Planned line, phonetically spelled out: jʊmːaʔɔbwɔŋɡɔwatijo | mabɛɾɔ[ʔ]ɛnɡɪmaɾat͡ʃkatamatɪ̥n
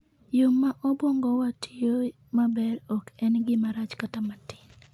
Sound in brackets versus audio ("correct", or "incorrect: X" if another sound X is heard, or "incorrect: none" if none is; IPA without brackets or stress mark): incorrect: k